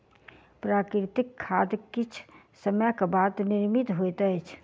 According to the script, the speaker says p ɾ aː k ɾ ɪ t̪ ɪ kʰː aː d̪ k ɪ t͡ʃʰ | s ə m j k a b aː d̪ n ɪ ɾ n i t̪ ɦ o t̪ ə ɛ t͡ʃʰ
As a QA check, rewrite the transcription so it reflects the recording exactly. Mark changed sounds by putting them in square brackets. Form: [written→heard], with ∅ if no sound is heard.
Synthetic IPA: p ɾ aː k ɾ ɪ t̪ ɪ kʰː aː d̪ k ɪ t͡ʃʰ | s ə m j k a b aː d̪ n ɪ ɾ [n→m] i t̪ ɦ o t̪ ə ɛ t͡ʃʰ